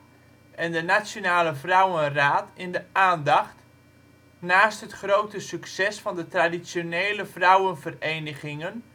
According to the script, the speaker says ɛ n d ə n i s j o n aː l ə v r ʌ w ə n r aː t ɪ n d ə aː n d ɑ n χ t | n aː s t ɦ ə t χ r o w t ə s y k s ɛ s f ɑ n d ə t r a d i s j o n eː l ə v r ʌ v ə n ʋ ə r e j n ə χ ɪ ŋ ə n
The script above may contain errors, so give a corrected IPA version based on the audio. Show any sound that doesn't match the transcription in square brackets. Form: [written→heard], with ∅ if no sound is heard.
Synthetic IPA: ɛ n d ə n [i→a] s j o n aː l ə v r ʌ w ə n r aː t ɪ n d ə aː n d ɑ [n→∅] χ t | n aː s t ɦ ə t χ r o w t ə s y k s ɛ s f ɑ n d ə t r a d i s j o n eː l ə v r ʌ [v→w] ə n [ʋ→v] ə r e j n ə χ ɪ ŋ ə n